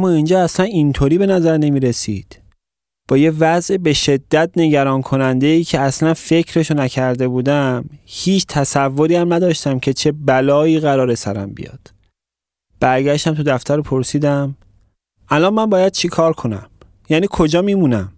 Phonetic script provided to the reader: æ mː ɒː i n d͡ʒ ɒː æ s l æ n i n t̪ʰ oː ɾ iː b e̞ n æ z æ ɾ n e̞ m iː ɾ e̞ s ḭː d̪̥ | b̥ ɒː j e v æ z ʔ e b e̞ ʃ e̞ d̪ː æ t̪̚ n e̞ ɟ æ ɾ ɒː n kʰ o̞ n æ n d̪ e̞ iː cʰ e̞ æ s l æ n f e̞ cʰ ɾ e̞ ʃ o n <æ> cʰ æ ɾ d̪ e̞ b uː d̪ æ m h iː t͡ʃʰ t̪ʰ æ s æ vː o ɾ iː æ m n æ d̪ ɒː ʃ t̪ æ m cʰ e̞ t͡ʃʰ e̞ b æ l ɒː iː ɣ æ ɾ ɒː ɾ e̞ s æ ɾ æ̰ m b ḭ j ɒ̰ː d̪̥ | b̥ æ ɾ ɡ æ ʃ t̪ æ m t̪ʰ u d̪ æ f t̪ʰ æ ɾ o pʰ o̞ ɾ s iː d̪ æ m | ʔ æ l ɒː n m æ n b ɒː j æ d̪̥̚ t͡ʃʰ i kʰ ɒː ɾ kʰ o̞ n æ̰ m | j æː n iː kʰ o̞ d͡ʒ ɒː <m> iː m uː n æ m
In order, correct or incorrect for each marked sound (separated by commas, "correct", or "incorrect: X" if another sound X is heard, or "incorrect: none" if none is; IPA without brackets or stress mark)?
correct, correct